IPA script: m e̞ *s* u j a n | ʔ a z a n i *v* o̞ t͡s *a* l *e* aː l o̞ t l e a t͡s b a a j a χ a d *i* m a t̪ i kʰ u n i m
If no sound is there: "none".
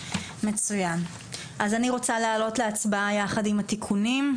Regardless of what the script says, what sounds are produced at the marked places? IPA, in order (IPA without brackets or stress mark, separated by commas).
t͡s, ʁ, a, e, i